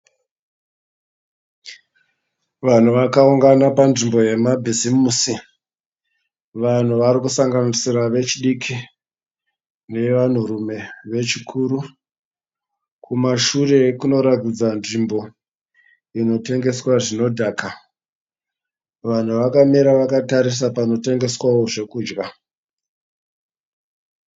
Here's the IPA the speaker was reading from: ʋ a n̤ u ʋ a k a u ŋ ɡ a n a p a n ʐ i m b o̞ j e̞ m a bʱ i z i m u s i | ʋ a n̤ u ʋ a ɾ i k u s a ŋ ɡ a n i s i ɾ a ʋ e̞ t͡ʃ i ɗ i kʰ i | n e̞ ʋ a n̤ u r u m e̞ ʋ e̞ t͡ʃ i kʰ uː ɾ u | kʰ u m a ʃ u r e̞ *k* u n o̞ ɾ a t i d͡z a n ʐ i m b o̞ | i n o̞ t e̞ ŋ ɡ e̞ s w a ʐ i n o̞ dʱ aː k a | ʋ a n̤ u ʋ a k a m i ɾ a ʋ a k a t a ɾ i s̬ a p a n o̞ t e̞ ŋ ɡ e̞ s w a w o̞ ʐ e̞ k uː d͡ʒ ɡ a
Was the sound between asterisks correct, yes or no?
yes